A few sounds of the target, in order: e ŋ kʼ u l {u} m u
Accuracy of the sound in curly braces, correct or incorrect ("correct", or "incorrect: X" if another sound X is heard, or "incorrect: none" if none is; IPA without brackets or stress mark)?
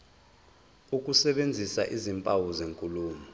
incorrect: uː